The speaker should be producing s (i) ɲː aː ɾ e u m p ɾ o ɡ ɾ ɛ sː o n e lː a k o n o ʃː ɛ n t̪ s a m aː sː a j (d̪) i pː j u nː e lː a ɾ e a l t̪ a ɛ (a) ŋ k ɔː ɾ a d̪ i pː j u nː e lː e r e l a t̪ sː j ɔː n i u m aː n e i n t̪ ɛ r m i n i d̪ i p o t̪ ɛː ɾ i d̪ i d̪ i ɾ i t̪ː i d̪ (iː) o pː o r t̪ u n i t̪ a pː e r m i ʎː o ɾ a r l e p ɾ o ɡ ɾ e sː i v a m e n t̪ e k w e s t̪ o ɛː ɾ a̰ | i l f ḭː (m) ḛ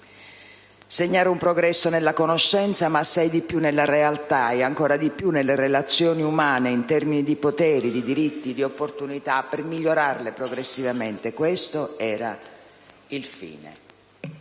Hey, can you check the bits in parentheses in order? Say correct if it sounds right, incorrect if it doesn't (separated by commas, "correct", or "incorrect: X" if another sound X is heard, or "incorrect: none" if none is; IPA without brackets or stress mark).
incorrect: e, correct, correct, incorrect: i, incorrect: n